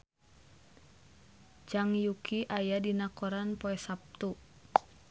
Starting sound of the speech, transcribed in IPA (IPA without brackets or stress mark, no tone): d͡ʒ